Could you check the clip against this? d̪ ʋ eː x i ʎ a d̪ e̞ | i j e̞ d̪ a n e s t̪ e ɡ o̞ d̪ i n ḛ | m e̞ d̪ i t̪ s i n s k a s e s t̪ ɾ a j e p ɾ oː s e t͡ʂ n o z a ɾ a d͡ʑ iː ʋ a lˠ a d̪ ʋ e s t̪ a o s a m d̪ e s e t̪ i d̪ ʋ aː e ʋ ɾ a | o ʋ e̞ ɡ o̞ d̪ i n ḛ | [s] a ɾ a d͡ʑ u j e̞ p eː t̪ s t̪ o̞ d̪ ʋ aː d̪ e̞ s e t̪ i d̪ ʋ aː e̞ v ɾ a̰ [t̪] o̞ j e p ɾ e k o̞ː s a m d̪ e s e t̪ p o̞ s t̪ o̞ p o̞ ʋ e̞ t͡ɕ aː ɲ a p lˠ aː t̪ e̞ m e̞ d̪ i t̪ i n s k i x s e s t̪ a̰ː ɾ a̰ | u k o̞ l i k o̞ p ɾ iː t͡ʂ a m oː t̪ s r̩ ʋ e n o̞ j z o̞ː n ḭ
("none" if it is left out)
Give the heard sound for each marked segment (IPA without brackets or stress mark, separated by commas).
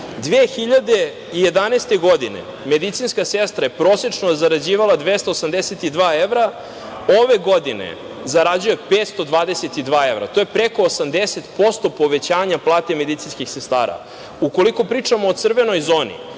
z, t̪